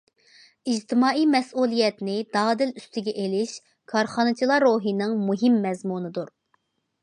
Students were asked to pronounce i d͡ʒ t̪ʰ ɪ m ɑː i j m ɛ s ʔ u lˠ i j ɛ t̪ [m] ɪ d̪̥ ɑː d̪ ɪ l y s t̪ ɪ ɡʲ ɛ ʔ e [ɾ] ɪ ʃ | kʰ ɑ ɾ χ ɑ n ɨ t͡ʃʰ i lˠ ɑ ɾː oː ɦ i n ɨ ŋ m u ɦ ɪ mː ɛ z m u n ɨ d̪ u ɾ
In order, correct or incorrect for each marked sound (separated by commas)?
incorrect, incorrect